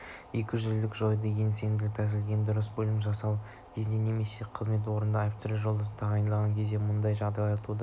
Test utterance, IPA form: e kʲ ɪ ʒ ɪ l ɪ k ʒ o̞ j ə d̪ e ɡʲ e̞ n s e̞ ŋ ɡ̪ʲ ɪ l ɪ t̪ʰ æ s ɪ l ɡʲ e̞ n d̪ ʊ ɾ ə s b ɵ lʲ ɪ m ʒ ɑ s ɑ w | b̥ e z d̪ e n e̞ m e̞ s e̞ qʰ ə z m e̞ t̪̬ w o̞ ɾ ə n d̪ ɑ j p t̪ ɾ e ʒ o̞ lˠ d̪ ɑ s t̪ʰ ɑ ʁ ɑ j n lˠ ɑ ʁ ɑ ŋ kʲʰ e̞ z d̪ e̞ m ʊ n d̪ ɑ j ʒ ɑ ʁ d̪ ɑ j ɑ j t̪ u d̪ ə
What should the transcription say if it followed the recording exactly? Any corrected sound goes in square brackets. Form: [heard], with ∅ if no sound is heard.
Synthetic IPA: e kʲ ɪ ʒ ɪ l ɪ k ʒ o̞ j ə d̪ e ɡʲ e̞ n s e̞ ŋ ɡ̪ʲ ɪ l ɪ t̪ʰ æ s ɪ l ɡʲ e̞ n d̪ ʊ ɾ ə s b ɵ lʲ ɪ m ʒ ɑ s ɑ w | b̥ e z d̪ e n e̞ m e̞ s e̞ qʰ ə z m e̞ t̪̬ w o̞ ɾ ə n d̪ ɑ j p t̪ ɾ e ʒ o̞ lˠ d̪ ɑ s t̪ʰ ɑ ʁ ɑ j n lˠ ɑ ʁ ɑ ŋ kʲʰ e̞ z d̪ e̞ m ʊ n d̪ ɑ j ʒ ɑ ʁ d̪ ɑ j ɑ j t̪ u d̪ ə